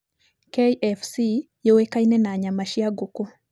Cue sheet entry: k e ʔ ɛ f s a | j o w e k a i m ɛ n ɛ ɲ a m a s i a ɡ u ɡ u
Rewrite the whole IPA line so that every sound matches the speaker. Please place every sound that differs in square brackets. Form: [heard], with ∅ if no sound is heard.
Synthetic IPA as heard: k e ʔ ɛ f s [i] | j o w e k a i [n] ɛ n [a] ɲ a m a [ʃ] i a ɡ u [k] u